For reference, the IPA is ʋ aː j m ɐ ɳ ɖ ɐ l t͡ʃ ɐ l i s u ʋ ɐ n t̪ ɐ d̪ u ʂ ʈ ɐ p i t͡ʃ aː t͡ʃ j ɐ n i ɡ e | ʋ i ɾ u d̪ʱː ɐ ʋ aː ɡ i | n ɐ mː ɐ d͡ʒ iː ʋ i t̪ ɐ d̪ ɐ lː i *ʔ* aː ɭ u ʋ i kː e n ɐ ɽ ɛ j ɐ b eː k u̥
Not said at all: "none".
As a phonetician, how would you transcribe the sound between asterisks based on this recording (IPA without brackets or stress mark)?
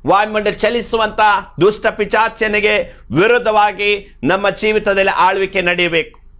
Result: ʔ